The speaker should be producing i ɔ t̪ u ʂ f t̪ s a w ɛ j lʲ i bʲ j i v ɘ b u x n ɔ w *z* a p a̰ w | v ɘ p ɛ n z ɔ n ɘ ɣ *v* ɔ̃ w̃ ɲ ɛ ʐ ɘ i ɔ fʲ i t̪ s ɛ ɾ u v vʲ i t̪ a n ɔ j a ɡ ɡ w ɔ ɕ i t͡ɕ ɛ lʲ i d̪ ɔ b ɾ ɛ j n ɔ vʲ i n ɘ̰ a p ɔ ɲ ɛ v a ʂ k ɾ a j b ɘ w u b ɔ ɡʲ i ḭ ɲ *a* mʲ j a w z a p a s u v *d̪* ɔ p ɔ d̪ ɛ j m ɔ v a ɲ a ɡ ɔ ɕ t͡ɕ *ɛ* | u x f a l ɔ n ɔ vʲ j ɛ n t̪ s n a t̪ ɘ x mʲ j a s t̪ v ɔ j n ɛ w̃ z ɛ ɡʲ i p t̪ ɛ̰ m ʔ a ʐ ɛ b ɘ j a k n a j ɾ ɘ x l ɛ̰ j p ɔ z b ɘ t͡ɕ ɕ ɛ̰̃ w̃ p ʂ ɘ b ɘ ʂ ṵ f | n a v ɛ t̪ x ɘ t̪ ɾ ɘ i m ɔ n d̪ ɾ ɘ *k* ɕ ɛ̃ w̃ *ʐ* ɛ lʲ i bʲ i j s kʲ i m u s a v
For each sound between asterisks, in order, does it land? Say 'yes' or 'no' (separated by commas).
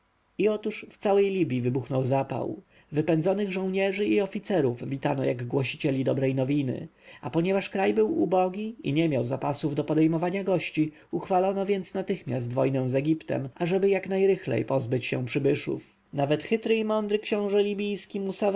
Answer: yes, no, no, yes, no, yes, yes